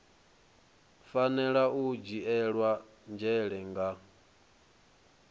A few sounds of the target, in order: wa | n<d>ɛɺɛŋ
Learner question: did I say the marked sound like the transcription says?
no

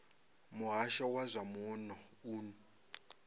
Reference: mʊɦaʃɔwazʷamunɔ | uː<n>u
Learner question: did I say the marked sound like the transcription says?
yes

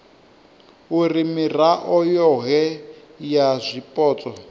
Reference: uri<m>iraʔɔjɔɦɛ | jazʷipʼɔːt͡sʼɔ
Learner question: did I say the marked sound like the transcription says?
yes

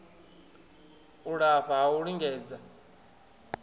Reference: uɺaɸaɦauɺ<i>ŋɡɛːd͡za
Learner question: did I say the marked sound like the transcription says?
yes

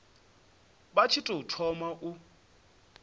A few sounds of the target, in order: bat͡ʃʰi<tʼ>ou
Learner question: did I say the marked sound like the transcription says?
yes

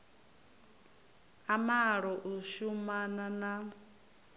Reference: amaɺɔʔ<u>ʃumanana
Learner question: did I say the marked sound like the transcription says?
yes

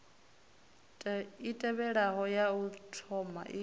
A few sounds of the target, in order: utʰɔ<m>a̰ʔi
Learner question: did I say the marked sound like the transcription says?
yes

